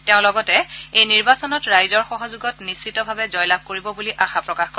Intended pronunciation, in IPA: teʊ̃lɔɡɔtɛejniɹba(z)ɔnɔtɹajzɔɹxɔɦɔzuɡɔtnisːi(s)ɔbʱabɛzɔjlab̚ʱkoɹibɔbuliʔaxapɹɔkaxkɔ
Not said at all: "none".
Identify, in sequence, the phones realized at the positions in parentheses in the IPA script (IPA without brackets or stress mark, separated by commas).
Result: s, t